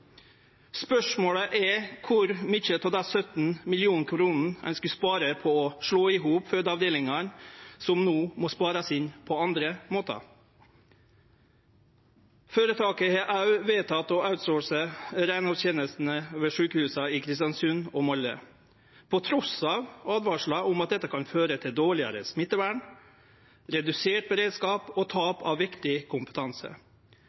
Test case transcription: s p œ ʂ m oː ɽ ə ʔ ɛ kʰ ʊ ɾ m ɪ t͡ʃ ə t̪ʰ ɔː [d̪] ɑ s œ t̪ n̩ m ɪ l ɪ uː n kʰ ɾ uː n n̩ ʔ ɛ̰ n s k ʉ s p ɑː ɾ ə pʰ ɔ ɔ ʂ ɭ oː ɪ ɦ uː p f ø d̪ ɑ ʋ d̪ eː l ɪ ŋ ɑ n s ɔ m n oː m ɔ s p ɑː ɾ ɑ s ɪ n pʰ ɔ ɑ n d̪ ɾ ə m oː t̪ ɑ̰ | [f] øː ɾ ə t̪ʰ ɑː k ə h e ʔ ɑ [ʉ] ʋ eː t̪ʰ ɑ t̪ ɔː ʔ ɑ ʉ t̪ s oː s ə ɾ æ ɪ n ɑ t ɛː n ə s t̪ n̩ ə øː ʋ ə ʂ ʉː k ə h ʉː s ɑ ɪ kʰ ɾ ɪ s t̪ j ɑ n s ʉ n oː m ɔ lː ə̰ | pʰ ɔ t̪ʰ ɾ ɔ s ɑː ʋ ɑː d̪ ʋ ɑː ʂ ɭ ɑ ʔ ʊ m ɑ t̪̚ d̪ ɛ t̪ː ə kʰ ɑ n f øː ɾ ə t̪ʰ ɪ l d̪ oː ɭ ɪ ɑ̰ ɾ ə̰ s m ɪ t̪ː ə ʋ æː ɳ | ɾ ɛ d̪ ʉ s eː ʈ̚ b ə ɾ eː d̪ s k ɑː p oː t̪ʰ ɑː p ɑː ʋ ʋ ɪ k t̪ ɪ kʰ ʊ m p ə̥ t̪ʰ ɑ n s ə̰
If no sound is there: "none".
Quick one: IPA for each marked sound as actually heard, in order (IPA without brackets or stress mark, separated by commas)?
d̪, f, ʉ